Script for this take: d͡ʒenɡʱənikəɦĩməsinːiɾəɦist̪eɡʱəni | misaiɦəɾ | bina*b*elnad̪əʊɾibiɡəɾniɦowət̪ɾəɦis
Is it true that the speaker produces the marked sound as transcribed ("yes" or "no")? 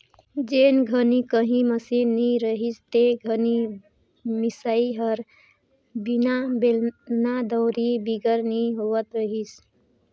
yes